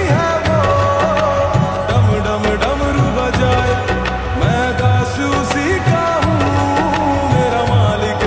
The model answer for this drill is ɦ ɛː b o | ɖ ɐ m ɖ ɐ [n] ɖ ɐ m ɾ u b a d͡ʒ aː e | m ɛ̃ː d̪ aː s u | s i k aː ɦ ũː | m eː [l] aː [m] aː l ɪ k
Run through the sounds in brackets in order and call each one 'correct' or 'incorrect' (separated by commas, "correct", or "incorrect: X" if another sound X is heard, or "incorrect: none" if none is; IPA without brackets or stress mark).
incorrect: m, incorrect: ɾ, correct